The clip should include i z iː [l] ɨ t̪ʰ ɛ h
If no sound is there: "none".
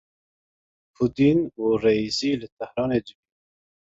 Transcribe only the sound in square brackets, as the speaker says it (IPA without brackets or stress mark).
l